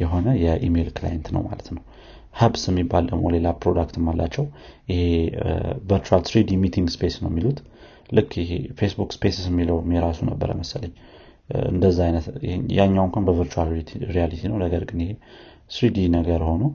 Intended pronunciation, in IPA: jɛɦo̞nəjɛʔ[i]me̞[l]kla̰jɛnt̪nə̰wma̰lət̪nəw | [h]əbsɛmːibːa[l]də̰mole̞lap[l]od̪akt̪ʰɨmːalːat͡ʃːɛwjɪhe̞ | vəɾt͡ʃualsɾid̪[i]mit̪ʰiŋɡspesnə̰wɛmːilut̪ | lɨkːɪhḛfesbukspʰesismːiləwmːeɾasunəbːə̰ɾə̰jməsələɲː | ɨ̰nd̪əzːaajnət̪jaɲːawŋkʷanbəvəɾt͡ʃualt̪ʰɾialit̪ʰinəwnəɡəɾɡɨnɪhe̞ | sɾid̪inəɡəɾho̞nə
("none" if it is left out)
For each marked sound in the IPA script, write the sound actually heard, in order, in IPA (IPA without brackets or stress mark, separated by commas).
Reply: i, l, h, l, ɾ, i